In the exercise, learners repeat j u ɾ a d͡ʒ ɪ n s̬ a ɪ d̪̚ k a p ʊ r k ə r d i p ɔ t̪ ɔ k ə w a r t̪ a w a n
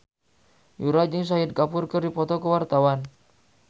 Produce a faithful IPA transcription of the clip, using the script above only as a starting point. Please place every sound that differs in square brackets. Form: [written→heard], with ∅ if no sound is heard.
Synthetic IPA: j u ɾ a d͡ʒ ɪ [n→ŋ] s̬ a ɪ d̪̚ k a p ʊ r k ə r d i p ɔ t̪ ɔ k ə w a r t̪ a w a n